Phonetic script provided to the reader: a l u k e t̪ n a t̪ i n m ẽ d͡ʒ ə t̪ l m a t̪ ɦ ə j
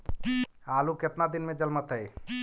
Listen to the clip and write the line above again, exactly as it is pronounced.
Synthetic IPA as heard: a l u k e t̪ n a d̪ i n m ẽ d͡ʒ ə l m ə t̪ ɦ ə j